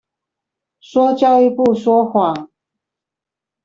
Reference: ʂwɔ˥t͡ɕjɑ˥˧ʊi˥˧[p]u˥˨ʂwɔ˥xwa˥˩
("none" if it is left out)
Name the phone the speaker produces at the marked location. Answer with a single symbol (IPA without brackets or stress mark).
p